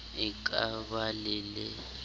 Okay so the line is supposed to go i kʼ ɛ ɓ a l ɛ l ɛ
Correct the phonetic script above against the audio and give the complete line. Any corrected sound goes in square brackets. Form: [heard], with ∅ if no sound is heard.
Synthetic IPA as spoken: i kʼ [a] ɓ a l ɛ l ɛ